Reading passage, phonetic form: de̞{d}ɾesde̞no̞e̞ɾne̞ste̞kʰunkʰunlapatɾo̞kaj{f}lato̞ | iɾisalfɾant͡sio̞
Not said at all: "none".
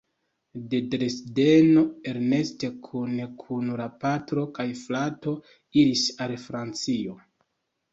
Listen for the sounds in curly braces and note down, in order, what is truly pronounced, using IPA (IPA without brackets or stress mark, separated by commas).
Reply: d, f